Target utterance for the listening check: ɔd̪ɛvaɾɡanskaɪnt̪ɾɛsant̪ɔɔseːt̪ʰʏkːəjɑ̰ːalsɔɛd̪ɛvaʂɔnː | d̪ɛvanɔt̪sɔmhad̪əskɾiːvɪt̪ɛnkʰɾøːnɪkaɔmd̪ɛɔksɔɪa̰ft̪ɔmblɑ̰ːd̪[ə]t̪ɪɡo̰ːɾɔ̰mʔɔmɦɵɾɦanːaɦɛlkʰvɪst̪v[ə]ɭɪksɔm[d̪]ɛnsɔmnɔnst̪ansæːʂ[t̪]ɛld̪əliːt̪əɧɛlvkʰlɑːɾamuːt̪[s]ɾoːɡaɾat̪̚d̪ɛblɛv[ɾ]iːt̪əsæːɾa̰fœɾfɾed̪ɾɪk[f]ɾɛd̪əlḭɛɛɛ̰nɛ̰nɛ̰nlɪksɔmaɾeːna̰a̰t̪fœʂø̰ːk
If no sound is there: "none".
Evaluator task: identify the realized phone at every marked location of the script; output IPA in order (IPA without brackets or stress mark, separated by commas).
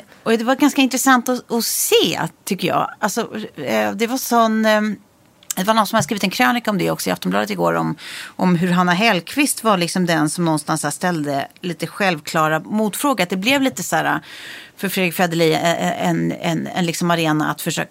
ə, a, d̪, t̪, f, l, f